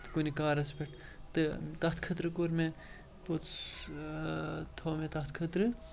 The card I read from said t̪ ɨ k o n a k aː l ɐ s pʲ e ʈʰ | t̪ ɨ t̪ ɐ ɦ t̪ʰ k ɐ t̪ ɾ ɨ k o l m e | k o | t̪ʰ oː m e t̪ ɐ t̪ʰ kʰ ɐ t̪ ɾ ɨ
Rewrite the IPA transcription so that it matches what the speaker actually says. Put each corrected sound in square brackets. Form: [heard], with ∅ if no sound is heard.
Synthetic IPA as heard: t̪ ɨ k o n [i] k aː [ɾ] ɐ s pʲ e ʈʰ | t̪ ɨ t̪ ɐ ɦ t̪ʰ [kʰ] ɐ t̪ ɾ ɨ k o [ɾ] m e | [p] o | t̪ʰ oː m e t̪ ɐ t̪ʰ kʰ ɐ t̪ ɾ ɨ